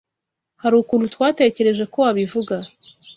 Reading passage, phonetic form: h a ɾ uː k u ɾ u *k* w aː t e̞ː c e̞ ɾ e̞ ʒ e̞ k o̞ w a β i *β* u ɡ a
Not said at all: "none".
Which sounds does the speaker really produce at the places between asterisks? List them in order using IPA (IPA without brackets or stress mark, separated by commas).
t, v